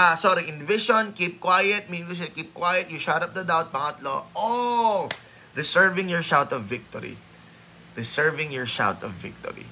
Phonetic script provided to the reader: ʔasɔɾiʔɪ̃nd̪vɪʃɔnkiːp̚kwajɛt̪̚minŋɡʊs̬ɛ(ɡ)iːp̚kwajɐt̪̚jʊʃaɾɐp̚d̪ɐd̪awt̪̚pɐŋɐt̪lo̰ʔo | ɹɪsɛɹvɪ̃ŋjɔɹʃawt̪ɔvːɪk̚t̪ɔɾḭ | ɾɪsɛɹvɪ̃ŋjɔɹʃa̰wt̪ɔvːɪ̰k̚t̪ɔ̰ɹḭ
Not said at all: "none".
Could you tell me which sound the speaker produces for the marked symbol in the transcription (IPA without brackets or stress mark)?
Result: k